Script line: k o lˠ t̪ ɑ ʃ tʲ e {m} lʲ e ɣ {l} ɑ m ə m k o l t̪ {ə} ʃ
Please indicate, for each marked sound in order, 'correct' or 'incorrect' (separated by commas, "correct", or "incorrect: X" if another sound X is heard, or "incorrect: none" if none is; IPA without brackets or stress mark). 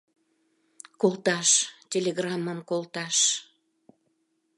incorrect: none, incorrect: r, incorrect: ɑ